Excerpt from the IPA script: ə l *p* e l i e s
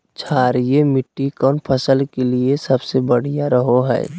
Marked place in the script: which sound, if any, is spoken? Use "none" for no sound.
k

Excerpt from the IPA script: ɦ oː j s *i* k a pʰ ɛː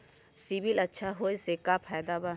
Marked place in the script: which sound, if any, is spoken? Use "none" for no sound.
e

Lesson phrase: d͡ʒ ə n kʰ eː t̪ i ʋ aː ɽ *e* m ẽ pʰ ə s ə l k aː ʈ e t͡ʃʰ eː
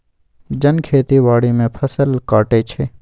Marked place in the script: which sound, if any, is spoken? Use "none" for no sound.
i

